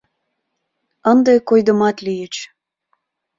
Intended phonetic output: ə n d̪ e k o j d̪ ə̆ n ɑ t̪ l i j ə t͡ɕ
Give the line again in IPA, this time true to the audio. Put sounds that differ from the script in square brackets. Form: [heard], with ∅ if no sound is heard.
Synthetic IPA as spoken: ə n d̪ e k o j d̪ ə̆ [m] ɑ t̪ l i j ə t͡ɕ